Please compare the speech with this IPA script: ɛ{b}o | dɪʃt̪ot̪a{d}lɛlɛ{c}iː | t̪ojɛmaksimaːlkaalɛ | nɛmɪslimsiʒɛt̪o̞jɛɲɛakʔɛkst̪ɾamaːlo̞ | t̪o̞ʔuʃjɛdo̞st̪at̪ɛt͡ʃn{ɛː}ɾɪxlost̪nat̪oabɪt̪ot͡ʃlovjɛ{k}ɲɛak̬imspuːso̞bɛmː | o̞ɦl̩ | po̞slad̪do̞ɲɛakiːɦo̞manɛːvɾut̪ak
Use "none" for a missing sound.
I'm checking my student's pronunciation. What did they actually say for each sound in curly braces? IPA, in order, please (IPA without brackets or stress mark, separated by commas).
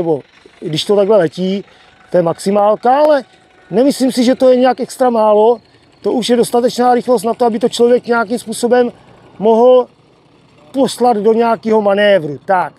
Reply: b, ɡ, c, aː, k